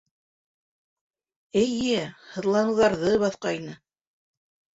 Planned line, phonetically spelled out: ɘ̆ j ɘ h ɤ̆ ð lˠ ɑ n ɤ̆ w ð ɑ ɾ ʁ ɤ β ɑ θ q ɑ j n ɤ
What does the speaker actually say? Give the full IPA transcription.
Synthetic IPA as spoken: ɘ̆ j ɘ h ɤ̆ ð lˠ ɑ n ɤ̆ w ð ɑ ɾ ð ɤ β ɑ θ q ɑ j n ɤ